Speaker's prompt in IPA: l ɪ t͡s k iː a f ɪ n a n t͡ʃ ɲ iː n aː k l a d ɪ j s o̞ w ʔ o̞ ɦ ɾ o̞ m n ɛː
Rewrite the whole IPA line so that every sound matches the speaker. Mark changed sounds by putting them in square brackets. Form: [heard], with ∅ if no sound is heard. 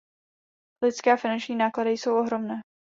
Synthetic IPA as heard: l ɪ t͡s k [ɛː] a f ɪ n a n t͡ʃ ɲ iː n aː k l a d ɪ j s o̞ w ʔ o̞ ɦ ɾ o̞ m n ɛː